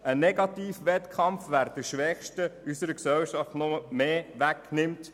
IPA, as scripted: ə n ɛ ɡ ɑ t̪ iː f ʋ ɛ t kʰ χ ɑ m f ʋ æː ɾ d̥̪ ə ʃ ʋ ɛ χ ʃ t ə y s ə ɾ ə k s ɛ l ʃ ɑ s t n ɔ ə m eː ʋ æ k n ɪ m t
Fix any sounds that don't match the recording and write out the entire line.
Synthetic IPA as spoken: ə n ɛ ɡ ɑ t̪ iː f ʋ ɛ t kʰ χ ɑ m f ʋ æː ɾ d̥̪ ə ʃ ʋ ɛ χ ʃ t ə y s ə ɾ ə k s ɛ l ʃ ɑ f t n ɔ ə m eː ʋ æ k n ɪ m t